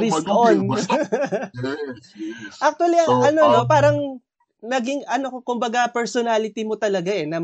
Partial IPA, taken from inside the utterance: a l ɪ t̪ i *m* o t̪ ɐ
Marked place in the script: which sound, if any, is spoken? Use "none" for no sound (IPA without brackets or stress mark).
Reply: m